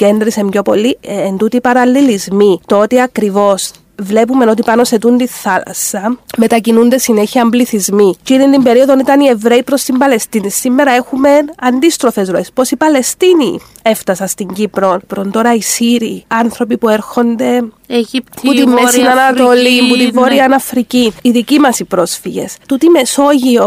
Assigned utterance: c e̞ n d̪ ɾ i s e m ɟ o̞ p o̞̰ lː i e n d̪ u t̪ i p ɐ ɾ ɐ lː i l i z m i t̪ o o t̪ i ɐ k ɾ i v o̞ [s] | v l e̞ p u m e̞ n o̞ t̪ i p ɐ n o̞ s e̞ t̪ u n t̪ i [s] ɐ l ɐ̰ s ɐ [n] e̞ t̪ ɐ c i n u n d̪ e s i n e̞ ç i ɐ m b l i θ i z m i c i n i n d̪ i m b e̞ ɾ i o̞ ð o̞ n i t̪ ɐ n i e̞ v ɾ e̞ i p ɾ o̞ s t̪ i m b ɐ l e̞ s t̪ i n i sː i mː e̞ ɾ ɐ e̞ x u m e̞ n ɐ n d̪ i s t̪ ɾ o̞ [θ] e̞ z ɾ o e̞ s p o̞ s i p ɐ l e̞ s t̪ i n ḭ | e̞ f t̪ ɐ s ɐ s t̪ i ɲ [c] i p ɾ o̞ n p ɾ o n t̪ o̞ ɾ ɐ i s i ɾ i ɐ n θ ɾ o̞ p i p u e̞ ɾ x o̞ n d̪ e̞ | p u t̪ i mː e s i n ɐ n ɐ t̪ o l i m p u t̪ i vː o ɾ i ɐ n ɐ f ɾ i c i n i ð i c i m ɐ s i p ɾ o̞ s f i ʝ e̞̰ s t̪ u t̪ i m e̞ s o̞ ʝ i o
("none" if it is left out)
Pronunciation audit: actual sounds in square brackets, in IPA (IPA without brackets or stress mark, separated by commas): s, θ, m, f, ɟ